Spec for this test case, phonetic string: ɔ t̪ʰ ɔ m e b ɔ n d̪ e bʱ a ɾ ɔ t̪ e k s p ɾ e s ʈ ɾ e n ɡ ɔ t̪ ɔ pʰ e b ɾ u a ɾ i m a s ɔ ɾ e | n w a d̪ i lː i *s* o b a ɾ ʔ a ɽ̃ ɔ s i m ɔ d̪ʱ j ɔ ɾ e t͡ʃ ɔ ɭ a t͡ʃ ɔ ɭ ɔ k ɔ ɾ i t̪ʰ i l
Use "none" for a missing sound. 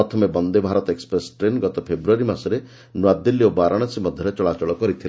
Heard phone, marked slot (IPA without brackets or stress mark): none